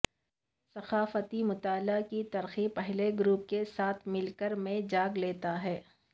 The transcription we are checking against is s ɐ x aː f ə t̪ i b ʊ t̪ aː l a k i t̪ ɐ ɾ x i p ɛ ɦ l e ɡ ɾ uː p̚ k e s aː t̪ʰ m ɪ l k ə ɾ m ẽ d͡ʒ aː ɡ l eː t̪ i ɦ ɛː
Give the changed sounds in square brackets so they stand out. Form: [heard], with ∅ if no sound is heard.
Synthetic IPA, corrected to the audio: s ɐ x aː f ə t̪ i [m] ʊ t̪ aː l a k i t̪ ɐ ɾ x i p ɛ ɦ l e ɡ ɾ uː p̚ k e s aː t̪ʰ m ɪ l k ə ɾ m ẽ d͡ʒ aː ɡ l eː t̪ [a] ɦ ɛː